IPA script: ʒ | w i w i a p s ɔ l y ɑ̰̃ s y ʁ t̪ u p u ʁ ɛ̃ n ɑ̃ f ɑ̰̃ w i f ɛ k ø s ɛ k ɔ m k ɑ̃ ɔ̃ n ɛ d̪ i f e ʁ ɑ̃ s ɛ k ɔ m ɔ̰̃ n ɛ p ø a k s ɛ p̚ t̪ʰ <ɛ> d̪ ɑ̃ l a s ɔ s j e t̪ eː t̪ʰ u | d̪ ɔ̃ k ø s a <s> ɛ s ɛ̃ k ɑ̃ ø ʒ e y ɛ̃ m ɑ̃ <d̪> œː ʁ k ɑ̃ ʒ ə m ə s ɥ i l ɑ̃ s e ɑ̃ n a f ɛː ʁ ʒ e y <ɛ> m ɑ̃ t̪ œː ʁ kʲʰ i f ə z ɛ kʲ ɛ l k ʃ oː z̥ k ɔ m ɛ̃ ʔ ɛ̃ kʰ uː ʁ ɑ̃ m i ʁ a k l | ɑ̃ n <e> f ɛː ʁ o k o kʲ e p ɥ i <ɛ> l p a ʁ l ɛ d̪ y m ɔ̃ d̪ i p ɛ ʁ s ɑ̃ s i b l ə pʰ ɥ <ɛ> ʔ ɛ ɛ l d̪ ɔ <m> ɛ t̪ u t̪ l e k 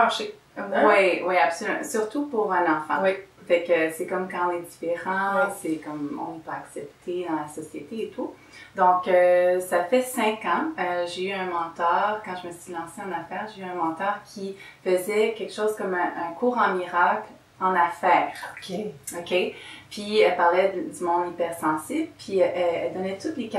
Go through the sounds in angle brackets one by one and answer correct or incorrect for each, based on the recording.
incorrect: e, incorrect: f, incorrect: t̪, incorrect: ɛ̃, incorrect: a, correct, incorrect: i, incorrect: n

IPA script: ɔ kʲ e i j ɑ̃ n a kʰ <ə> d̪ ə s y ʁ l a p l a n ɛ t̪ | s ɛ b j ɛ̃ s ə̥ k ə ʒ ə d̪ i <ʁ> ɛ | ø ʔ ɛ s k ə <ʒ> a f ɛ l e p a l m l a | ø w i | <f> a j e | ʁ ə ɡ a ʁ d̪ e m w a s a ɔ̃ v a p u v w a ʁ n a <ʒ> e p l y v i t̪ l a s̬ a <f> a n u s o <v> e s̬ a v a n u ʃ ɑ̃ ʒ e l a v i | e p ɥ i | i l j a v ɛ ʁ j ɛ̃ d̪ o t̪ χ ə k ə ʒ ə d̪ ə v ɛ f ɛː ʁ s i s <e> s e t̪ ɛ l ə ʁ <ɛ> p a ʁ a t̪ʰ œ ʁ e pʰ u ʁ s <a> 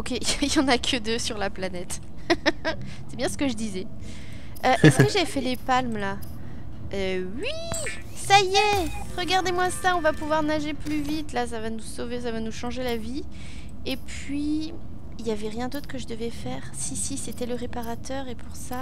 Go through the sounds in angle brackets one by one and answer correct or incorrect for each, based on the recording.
correct, incorrect: z, correct, incorrect: s, correct, incorrect: v, correct, incorrect: i, incorrect: e, correct

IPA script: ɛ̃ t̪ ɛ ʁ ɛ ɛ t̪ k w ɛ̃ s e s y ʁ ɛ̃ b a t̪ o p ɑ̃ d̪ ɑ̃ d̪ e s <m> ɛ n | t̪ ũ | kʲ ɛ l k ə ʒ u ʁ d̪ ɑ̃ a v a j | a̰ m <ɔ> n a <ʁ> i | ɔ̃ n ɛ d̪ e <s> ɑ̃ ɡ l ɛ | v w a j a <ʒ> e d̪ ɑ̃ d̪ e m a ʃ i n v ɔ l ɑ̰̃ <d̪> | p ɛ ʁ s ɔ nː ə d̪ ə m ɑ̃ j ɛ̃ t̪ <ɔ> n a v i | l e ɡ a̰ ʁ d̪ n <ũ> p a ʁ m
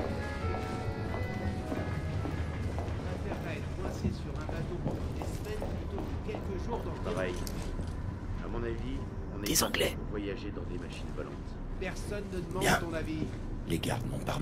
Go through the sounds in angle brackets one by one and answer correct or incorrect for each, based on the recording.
correct, incorrect: ɔ̃, incorrect: v, incorrect: z, correct, incorrect: t̪, incorrect: ɔ̃, incorrect: ɔ̃

